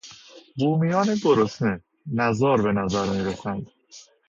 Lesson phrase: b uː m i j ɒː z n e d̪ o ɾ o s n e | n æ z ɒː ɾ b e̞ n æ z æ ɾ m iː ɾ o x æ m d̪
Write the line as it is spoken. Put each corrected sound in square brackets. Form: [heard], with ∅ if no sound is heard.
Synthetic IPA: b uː m i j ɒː [∅] n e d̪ o ɾ o s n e | n æ z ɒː ɾ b e̞ n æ z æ ɾ m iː ɾ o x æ [n] d̪